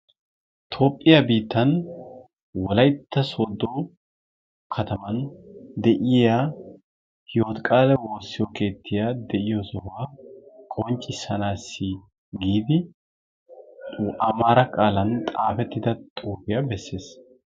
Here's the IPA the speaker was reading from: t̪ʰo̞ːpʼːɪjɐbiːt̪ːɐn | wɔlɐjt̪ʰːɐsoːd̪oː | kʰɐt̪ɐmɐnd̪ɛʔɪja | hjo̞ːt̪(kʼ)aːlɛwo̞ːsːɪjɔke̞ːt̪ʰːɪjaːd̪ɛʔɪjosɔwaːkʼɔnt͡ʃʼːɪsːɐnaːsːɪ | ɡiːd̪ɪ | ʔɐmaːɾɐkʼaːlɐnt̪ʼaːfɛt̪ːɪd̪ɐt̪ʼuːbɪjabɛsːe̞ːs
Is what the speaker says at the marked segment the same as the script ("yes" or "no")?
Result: yes